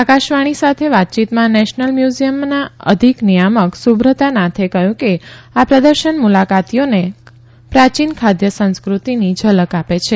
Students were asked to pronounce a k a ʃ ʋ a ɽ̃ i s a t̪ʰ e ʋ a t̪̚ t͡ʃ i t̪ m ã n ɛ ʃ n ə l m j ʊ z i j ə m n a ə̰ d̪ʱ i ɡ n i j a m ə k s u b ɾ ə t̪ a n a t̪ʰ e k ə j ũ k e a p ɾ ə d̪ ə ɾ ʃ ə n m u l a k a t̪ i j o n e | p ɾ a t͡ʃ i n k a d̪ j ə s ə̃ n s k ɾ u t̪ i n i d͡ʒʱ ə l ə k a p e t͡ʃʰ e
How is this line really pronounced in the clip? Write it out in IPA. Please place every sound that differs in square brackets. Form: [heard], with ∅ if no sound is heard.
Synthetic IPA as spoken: a k a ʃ ʋ a ɽ̃ i s a t̪ʰ e ʋ a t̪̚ t͡ʃ i t̪ m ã n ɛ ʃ n ə l m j [u] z i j ə m n a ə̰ d̪ʱ i [k] n i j a m ə k s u b ɾ ə t̪ a n a t̪ʰ e k ə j ũ k e a p ɾ ə d̪ ə ɾ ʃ ə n m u l a k a t̪ i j o n e | p ɾ a t͡ʃ i n [kʰ] a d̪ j ə s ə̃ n s k ɾ u t̪ i n i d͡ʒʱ ə l ə k a p e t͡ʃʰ e